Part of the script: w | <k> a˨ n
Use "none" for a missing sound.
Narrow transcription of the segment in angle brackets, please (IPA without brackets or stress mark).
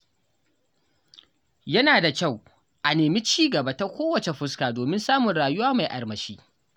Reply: ʔ